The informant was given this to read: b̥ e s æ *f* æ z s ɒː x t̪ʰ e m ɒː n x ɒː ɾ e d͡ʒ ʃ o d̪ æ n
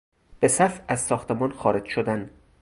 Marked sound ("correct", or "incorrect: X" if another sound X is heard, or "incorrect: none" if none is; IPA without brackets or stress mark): correct